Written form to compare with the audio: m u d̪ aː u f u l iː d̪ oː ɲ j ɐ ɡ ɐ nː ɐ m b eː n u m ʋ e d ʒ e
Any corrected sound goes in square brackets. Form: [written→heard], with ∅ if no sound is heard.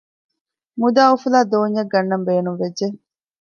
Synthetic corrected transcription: m u d̪ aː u f u l [iː→aː] d̪ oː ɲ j ɐ ɡ ɐ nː ɐ m b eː n u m ʋ e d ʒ e

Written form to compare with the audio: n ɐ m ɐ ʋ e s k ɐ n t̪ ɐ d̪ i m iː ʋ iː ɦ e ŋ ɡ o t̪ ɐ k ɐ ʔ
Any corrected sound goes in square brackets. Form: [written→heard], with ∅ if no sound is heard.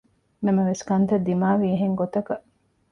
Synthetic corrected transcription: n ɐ m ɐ ʋ e s k ɐ n t̪ ɐ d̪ i m [iː→aː] ʋ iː ɦ e ŋ ɡ o t̪ ɐ k ɐ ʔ

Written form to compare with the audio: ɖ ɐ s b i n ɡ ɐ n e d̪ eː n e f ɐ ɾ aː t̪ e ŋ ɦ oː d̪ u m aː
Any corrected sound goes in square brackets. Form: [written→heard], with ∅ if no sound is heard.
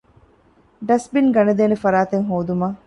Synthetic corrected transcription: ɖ ɐ s b i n ɡ ɐ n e d̪ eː n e f ɐ ɾ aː t̪ e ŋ ɦ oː d̪ u m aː

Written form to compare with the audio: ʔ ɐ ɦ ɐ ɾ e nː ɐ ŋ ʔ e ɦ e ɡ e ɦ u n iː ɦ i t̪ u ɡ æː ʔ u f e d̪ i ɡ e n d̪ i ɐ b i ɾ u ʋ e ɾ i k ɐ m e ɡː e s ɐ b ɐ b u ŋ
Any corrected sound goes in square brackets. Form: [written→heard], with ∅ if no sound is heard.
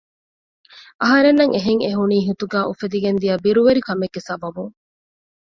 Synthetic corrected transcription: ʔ ɐ ɦ ɐ ɾ e nː ɐ ŋ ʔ e ɦ e [ɡ→ŋ] e ɦ u n iː ɦ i t̪ u ɡ æː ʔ u f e d̪ i ɡ e n d̪ i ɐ b i ɾ u ʋ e ɾ i k ɐ m e ɡː e s ɐ b ɐ b u ŋ

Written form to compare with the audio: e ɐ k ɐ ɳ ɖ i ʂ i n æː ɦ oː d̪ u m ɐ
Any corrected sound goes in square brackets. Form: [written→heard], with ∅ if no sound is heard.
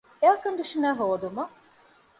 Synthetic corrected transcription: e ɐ k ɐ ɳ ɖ i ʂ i n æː ɦ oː d̪ u m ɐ

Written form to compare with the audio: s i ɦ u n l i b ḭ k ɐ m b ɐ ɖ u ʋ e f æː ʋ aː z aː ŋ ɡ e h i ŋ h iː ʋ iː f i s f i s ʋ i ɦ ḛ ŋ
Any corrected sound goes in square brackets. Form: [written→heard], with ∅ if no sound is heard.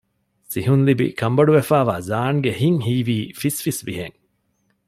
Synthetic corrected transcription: s i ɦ u n l i b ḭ k ɐ m b ɐ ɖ u ʋ e f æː ʋ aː z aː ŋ ɡ e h i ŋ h iː ʋ iː f i s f i s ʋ i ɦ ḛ ŋ

